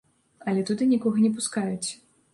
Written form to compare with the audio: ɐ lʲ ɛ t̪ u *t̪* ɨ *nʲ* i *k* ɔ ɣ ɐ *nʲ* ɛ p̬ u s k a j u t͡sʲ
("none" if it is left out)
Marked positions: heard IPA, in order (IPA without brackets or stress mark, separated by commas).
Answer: d̪, nʲ, k, nʲ